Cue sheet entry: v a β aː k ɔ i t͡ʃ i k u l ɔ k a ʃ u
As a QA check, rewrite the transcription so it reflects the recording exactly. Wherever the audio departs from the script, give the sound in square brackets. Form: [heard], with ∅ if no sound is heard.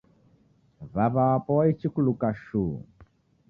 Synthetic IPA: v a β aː [p] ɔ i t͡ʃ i k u l [u] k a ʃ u